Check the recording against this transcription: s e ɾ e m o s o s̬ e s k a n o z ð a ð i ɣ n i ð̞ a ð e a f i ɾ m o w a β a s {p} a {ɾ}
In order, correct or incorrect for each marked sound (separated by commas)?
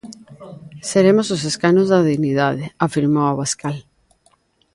incorrect, incorrect